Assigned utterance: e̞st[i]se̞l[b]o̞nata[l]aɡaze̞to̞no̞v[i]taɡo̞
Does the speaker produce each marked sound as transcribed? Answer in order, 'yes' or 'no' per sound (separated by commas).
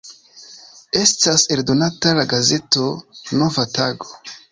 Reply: no, no, yes, no